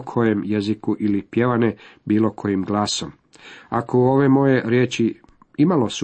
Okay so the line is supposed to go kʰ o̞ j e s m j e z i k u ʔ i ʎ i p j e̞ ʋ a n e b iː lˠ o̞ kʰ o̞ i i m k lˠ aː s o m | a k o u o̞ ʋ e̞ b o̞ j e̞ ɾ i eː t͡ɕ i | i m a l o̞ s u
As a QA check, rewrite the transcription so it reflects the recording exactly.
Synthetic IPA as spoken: kʰ o̞ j e m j e z i k u ʔ i l i p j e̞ ʋ a n e b iː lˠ o̞ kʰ o̞ j i m ɡ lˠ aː s o m | a k o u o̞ ʋ e̞ m o̞ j e̞ ɾ j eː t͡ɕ i | i m a l o̞ s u